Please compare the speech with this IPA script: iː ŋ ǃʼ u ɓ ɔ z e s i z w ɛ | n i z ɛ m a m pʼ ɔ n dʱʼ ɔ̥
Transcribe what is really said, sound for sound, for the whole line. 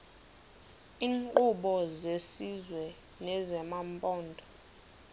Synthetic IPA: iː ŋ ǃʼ u ɓ ɔ z e s i z w ɛ | n ɛ z ɛ m a m pʼ ɔː n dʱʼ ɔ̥